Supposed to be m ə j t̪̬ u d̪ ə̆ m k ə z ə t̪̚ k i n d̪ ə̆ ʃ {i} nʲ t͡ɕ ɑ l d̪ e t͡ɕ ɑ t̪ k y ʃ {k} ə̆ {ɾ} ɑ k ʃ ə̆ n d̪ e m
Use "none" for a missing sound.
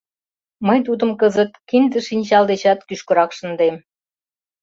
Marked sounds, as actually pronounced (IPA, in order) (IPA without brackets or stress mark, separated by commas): i, k, ɾ